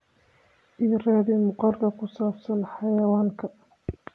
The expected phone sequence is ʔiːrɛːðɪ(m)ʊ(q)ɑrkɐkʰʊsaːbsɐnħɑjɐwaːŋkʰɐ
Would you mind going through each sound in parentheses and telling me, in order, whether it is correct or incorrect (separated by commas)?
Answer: correct, correct